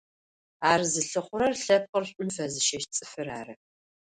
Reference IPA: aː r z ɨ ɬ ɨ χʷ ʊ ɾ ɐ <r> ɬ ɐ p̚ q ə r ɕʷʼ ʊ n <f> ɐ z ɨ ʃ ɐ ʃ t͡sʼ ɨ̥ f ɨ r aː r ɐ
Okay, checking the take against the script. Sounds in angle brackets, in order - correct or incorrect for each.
correct, correct

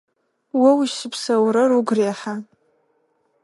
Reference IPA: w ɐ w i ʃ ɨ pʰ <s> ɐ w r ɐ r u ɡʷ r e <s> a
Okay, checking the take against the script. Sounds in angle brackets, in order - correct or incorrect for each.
correct, incorrect: ħ

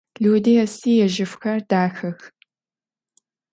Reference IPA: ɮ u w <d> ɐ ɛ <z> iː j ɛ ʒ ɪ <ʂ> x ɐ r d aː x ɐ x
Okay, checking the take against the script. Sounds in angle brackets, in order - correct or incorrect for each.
correct, incorrect: s, incorrect: f

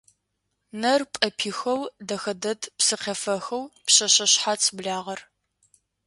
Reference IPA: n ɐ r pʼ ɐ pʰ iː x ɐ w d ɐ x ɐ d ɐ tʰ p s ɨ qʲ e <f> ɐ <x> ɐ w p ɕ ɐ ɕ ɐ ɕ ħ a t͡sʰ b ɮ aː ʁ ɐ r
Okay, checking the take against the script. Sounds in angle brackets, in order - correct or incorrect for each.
correct, correct

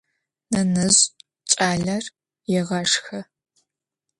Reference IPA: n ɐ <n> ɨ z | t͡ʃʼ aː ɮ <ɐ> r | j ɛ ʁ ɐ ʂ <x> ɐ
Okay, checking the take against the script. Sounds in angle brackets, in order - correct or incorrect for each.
correct, correct, correct

